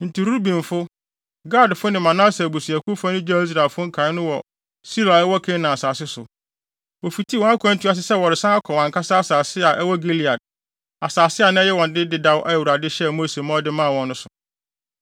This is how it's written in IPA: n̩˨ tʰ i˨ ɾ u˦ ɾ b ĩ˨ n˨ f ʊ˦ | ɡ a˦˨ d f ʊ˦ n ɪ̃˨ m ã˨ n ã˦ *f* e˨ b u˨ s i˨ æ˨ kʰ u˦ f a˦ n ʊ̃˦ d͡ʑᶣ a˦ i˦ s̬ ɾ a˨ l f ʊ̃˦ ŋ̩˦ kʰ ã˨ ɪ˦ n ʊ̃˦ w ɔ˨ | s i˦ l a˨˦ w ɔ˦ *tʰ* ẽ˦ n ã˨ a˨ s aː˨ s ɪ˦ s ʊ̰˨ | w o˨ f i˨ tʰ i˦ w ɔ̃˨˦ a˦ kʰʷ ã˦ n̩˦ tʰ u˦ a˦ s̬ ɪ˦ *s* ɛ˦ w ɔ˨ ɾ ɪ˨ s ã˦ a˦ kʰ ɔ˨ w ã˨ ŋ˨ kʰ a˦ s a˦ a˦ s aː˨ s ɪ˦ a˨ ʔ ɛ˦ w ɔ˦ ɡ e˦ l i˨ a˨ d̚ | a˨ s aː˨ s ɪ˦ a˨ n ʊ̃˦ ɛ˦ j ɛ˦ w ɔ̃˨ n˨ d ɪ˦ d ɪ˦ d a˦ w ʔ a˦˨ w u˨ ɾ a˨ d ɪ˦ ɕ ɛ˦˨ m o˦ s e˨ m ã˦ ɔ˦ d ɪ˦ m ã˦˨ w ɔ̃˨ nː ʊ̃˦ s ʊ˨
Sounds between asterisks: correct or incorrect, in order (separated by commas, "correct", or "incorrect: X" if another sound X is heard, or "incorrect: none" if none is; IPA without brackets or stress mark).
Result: incorrect: s, incorrect: kʰ, correct